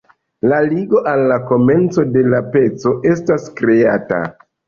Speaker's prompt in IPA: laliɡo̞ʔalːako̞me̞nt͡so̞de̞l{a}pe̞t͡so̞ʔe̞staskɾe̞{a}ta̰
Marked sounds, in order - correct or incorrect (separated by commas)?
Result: correct, correct